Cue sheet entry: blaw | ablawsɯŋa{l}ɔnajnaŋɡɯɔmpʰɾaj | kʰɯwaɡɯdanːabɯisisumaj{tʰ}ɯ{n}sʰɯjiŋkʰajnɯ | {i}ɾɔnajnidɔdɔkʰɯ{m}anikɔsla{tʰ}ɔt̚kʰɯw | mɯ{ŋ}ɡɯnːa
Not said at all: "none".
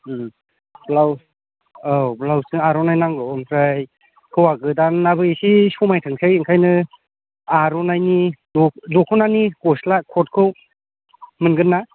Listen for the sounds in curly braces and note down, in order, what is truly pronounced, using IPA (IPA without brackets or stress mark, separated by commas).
ɾ, tʰ, ŋ, a, n, kʰ, n